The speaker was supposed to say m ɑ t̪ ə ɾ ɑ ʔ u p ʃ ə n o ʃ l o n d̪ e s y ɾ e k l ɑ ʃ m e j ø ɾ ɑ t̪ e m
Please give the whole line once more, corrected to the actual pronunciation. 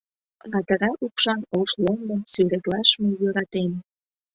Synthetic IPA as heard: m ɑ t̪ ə ɾ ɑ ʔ u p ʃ ɑ n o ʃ l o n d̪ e s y ɾ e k l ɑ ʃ m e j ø ɾ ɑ t̪ e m